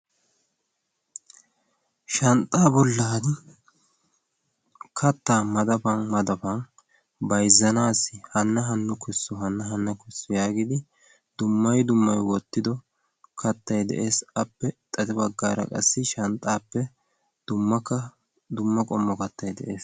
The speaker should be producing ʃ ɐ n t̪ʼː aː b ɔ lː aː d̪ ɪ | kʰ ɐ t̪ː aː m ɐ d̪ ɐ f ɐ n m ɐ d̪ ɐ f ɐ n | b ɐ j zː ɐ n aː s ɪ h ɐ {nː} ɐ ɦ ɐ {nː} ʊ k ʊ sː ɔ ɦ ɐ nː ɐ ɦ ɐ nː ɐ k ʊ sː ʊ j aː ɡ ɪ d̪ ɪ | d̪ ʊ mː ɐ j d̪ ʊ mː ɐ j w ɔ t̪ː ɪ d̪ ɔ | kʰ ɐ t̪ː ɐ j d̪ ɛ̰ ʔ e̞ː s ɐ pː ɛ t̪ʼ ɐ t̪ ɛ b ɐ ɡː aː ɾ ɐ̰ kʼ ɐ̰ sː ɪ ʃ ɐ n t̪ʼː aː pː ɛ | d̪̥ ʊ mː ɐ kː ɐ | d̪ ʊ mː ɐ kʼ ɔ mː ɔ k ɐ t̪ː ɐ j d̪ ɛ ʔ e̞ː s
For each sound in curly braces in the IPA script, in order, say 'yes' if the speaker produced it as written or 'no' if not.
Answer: yes, yes

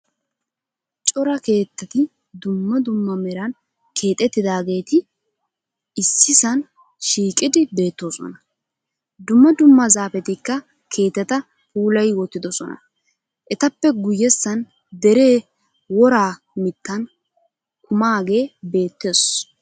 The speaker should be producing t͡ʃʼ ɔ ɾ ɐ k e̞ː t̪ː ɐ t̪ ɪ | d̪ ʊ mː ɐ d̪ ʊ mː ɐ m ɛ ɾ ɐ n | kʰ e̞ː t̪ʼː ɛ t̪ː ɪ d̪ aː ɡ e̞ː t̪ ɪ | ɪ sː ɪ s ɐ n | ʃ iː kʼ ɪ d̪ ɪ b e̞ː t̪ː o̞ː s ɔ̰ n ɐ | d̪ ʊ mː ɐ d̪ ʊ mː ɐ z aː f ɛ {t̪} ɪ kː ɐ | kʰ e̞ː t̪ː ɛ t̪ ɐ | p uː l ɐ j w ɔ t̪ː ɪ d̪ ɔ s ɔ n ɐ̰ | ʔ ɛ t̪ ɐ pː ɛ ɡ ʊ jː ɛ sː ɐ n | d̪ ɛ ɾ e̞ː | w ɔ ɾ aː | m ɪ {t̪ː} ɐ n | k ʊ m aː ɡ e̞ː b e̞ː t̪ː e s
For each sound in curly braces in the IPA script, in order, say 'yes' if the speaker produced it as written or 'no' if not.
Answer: yes, yes

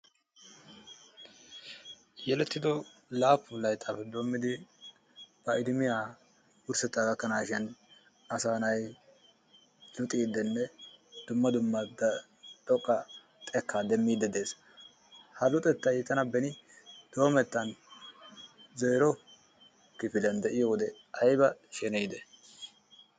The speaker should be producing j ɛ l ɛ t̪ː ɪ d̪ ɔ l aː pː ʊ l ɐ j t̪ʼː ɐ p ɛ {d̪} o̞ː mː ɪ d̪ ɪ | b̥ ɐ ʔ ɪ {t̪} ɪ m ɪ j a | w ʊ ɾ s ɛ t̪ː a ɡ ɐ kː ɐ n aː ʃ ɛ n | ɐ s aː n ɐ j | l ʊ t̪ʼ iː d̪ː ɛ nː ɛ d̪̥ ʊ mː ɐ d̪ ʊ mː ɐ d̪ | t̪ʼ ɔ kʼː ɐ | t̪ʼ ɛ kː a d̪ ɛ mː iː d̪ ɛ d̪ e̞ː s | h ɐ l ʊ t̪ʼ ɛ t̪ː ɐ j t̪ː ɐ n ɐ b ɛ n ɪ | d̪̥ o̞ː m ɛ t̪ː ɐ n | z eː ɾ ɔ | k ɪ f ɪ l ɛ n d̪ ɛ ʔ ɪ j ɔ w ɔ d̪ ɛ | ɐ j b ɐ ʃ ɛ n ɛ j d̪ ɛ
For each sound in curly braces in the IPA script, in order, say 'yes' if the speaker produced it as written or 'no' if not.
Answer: yes, no

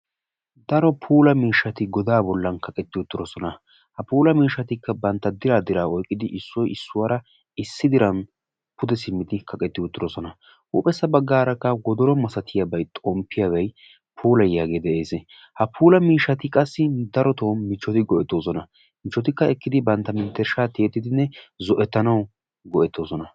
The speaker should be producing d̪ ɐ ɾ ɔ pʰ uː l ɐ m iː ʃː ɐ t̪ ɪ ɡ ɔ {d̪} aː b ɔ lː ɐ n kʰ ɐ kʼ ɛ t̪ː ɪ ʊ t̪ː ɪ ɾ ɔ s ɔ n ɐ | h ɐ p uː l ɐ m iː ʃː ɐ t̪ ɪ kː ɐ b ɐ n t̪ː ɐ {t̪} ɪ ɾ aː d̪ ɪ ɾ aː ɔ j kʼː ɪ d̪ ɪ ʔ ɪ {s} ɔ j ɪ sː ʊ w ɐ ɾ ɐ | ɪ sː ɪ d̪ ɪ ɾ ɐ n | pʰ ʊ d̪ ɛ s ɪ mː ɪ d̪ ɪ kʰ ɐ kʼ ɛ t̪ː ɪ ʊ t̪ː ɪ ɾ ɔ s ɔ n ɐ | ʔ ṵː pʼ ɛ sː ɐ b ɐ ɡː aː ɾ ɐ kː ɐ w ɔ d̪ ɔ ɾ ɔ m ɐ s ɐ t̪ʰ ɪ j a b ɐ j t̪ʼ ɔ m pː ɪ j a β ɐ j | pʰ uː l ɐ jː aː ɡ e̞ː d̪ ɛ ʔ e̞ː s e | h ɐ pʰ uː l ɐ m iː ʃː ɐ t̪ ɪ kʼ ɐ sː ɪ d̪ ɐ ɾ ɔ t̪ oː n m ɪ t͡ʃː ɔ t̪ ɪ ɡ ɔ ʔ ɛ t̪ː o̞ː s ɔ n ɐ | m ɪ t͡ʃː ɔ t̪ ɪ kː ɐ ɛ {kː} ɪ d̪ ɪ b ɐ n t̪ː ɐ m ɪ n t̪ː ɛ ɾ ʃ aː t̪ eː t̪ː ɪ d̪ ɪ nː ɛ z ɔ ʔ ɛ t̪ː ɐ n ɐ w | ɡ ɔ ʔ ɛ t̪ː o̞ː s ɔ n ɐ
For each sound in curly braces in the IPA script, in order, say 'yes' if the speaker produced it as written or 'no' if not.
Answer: yes, no, no, yes

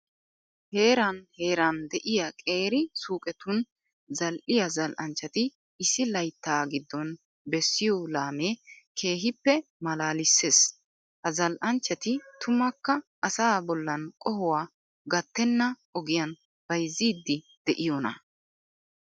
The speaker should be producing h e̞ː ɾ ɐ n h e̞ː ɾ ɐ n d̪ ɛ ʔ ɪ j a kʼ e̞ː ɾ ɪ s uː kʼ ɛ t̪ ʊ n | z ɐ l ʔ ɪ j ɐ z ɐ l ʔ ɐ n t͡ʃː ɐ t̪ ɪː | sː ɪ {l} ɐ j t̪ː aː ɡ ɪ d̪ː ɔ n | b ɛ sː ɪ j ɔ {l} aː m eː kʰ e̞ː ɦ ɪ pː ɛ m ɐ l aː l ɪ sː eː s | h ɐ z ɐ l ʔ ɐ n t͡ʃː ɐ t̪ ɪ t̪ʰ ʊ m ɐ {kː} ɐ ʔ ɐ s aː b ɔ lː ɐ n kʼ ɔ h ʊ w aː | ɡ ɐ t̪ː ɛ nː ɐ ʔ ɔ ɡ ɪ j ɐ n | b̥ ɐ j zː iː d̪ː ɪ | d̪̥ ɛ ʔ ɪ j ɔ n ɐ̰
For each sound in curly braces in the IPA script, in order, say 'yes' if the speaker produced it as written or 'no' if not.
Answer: yes, yes, yes

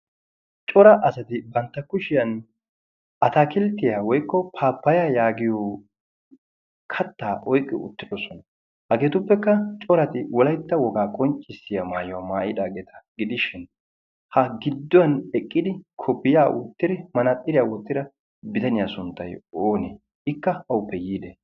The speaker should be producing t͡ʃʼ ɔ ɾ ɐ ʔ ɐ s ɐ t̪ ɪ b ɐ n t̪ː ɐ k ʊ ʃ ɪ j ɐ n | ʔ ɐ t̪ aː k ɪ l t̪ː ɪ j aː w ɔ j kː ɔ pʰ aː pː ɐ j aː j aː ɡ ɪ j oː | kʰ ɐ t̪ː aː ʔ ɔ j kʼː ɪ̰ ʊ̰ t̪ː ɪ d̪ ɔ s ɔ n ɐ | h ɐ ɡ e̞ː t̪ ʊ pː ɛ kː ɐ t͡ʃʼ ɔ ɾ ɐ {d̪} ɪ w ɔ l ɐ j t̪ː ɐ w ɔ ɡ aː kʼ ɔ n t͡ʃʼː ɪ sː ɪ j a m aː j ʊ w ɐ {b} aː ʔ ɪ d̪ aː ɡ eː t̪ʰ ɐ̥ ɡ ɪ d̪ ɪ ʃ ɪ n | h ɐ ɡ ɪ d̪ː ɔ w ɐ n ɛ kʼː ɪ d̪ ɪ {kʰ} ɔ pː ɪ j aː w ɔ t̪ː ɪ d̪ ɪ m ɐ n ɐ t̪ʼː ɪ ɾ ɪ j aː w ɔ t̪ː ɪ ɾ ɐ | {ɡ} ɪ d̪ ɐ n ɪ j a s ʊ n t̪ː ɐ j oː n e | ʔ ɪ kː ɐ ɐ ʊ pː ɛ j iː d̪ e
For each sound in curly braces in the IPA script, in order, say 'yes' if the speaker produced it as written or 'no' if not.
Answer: no, no, yes, no

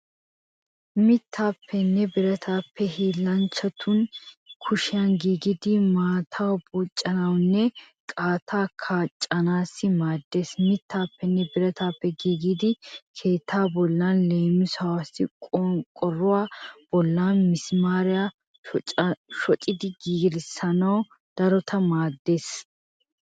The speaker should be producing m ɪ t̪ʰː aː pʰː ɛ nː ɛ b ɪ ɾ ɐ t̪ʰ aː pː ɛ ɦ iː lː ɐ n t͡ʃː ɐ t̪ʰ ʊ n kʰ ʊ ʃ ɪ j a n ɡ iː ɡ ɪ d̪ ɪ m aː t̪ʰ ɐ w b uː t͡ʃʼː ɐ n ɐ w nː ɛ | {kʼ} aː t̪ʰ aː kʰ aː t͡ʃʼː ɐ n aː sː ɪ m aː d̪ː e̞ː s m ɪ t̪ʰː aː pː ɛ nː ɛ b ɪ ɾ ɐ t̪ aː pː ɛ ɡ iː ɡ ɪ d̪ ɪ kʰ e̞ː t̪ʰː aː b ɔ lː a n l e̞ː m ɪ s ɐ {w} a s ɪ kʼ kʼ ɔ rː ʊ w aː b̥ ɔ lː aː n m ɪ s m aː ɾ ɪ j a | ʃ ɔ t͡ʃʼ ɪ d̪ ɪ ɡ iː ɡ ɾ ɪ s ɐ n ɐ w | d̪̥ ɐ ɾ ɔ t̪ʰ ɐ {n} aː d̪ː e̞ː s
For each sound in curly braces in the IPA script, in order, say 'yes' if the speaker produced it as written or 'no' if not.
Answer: yes, yes, no

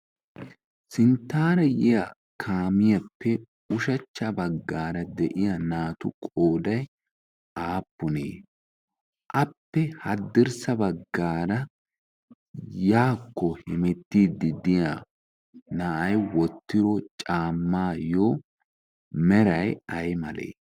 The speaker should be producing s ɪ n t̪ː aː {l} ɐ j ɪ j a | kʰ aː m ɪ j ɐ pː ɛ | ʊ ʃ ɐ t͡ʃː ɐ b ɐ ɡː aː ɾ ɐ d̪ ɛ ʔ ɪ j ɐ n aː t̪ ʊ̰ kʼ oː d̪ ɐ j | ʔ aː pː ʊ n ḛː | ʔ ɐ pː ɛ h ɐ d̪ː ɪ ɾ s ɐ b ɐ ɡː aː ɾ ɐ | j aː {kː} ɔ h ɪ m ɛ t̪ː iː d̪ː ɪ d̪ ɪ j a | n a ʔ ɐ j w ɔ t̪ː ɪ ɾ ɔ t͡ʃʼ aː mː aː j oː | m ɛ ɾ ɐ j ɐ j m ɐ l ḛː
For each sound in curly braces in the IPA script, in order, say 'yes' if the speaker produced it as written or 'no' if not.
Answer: no, yes

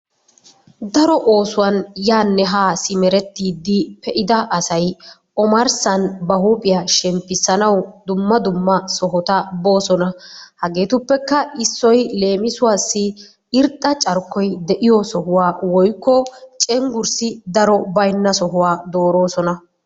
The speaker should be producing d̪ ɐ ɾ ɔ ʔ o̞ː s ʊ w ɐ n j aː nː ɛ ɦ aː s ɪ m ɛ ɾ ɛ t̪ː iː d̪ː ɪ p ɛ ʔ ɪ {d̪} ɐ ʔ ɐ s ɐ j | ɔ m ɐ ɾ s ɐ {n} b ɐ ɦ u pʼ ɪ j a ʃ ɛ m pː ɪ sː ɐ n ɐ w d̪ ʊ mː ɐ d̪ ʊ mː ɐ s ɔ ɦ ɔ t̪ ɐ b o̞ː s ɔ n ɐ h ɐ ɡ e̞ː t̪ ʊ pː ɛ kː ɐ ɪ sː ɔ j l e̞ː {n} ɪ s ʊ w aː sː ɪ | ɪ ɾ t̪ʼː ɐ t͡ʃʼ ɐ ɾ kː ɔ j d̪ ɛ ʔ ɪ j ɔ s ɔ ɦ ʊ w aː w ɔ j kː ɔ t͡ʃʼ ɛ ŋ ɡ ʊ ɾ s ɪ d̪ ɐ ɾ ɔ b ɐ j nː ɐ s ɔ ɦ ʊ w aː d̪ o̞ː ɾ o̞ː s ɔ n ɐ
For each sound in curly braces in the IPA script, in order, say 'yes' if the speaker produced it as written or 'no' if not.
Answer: yes, yes, no

